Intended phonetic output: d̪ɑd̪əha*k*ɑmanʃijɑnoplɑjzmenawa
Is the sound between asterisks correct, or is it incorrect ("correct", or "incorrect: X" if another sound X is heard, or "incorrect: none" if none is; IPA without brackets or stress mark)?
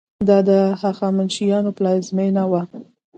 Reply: incorrect: x